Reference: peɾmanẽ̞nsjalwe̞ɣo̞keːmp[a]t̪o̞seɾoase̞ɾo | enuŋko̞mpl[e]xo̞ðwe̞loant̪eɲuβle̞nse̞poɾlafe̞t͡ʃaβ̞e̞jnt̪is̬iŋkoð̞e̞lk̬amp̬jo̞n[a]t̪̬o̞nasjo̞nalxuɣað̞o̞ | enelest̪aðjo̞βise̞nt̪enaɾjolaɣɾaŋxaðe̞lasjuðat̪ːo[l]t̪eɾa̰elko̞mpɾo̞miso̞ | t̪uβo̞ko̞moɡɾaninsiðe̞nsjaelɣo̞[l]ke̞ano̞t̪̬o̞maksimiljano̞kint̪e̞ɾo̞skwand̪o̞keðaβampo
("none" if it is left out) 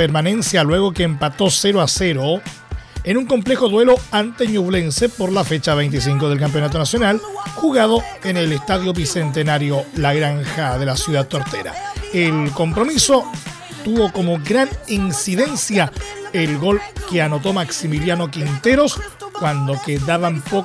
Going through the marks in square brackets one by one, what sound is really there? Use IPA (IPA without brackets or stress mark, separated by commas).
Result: a, e, a, ɾ, l